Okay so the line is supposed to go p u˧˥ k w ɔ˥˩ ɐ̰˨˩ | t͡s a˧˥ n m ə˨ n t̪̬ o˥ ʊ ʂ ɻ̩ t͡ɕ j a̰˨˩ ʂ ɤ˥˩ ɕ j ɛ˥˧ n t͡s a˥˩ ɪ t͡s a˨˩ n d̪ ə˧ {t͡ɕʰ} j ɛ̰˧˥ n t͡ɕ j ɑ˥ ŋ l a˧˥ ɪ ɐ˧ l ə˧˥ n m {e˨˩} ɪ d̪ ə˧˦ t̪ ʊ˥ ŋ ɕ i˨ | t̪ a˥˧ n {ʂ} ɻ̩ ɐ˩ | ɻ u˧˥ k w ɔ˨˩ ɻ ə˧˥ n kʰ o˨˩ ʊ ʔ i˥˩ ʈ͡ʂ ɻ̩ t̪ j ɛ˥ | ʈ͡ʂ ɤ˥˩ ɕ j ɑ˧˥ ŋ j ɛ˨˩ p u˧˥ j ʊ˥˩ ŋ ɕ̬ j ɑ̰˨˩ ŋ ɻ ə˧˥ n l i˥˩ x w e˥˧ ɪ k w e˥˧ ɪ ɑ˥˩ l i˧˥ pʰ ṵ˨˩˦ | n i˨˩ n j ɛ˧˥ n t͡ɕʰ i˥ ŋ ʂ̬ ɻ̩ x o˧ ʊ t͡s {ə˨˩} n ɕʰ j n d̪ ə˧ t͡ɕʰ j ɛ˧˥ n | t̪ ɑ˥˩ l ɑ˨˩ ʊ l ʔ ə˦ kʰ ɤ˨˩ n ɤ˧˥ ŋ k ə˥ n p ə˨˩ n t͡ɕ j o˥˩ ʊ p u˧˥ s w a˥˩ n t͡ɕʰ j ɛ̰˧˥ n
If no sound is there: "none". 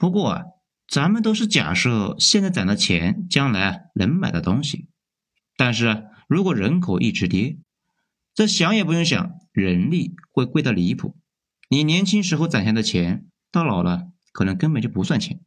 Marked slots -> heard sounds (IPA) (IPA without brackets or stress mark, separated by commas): t͡ɕʰ, a˨˩, ʂ, a˨˩